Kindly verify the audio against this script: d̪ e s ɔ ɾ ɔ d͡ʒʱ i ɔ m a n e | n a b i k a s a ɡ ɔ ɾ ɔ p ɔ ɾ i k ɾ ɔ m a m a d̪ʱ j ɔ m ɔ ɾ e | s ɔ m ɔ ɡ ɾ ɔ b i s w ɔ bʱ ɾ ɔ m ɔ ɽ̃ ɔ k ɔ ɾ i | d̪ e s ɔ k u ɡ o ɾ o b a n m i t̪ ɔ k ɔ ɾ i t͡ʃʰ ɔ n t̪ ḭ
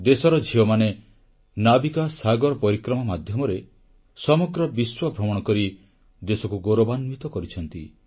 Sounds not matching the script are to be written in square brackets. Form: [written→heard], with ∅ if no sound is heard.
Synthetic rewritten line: d̪ e s ɔ ɾ ɔ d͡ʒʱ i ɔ m a n e | n a b i k a s a ɡ ɔ ɾ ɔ p ɔ ɾ i k ɾ ɔ m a m a d̪ʱ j ɔ m ɔ ɾ e | s ɔ m ɔ ɡ ɾ ɔ b i s w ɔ bʱ ɾ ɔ m ɔ ɽ̃ ɔ k ɔ ɾ i | d̪ e s ɔ k u ɡ o ɾ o b a n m i t̪ ɔ k ɔ ɾ i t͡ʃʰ ɔ n t̪ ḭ